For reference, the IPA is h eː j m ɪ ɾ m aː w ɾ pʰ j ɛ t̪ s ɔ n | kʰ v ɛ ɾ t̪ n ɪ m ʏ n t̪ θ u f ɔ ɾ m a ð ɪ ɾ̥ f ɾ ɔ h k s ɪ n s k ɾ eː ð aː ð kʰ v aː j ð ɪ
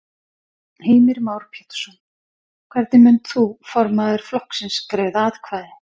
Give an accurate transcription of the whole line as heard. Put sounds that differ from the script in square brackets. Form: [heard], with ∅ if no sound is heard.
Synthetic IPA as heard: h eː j m ɪ ɾ m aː w ɾ pʰ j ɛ t̪ s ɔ n | kʰ v ɛ ɾ t̪ n ɪ m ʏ n t̪ θ u f ɔ ɾ m a ð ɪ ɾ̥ f [l] ɔ h k s ɪ n s k ɾ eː ð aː ð kʰ v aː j ð ɪ